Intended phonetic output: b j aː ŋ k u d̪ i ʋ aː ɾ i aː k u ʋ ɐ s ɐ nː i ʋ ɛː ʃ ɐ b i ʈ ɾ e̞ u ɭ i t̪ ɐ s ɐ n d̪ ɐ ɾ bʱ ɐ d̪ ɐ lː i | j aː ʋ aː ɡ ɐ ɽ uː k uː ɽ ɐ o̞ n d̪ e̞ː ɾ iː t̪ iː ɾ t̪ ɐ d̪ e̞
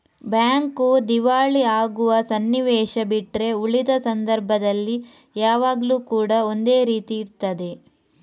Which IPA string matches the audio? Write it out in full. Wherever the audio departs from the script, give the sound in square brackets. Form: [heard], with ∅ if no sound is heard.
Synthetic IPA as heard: b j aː ŋ k u d̪ i ʋ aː [ɭ] i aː [ɡ] u ʋ ɐ s ɐ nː i ʋ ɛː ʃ ɐ b i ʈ ɾ e̞ u ɭ i [d̪] ɐ s ɐ n d̪ ɐ ɾ bʱ ɐ d̪ ɐ lː i | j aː ʋ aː ɡ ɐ [l] uː k uː ɽ ɐ o̞ n d̪ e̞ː ɾ iː t̪ iː ɾ t̪ ɐ d̪ e̞